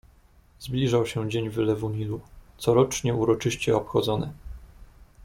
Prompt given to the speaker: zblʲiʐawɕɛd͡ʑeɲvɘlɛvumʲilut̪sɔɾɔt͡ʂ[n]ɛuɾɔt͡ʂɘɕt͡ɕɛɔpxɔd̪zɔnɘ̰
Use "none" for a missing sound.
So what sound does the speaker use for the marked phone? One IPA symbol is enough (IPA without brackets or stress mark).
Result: ɲ